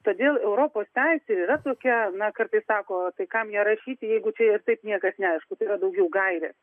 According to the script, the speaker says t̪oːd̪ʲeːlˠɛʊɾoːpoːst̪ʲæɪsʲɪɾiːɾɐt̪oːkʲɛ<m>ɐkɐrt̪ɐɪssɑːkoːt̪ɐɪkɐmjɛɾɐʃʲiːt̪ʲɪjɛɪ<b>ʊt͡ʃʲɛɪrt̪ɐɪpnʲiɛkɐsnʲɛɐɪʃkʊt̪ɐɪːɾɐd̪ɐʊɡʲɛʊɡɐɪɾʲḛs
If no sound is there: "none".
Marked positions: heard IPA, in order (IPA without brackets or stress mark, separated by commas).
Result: n, ɡ